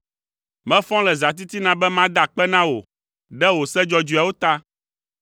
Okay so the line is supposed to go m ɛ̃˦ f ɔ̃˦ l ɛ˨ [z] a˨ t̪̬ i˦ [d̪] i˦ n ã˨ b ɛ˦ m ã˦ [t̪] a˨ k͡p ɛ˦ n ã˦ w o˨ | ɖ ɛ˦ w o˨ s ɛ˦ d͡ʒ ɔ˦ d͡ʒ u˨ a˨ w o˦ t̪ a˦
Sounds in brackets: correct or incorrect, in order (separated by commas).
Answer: correct, incorrect, incorrect